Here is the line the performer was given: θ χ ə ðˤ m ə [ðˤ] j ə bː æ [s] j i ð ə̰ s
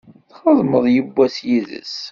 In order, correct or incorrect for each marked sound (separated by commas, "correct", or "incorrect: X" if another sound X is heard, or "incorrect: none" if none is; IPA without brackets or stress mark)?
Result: correct, correct